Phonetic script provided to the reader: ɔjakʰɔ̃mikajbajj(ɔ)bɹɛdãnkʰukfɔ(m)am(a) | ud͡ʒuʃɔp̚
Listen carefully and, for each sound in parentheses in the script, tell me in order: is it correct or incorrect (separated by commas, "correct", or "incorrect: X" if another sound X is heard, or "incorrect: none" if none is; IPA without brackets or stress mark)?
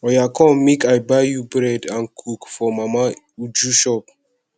incorrect: u, correct, correct